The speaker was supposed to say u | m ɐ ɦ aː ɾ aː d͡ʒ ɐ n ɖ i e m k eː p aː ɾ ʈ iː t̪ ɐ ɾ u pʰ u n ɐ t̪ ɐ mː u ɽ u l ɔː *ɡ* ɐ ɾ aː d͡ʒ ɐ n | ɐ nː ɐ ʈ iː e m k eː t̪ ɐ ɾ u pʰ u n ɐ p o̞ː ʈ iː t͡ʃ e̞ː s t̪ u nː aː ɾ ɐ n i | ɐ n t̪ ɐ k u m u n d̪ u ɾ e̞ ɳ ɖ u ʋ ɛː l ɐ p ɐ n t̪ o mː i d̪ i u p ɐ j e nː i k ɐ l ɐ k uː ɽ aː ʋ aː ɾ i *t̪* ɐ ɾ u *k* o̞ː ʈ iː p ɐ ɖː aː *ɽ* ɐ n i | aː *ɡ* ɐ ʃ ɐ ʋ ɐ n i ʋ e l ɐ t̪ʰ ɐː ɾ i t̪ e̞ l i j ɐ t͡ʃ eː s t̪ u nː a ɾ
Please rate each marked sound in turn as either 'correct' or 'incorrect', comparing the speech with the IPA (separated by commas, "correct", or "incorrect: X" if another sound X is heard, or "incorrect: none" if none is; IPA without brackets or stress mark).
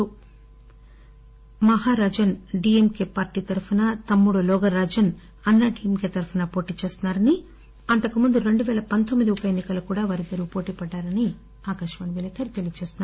correct, incorrect: d̪, incorrect: p, incorrect: ɾ, incorrect: k